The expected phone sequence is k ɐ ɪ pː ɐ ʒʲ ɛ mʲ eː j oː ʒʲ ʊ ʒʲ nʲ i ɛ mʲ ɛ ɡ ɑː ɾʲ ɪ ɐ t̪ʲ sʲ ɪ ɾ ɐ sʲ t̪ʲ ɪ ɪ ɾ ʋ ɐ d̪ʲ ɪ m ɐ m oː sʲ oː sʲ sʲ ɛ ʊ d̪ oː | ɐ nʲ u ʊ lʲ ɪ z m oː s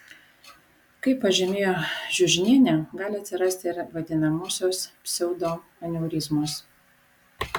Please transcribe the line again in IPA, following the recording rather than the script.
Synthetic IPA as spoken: k ɐ ɪ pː ɐ ʒʲ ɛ mʲ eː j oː ʒʲ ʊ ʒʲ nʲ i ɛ nʲ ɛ ɡ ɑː lʲ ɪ ɐ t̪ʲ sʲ ɪ ɾ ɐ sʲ t̪ʲ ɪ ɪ ɾ ʋ ɐ d̪ʲ ɪ n ɐ m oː sʲ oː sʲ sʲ ɛ ʊ d̪ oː | ɐ nʲ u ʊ ɾʲ ɪ z m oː s